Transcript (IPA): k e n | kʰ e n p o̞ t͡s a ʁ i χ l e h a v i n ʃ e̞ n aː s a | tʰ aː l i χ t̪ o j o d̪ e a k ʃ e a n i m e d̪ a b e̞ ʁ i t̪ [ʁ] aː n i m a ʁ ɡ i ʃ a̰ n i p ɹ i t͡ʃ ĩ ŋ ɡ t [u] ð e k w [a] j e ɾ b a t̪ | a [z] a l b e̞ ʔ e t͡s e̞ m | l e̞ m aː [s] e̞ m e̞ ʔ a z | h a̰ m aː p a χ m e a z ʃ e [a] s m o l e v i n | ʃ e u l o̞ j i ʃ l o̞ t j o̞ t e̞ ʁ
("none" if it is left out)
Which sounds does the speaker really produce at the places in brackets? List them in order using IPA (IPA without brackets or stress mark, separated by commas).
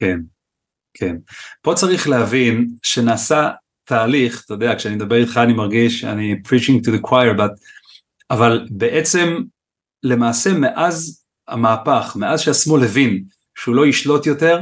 χ, u, a, v, s, a